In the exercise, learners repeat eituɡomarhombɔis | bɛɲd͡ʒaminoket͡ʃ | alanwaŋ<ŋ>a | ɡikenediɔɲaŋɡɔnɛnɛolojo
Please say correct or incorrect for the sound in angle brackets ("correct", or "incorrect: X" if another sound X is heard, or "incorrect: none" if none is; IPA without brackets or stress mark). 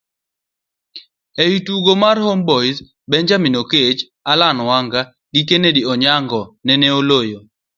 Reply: incorrect: ɡ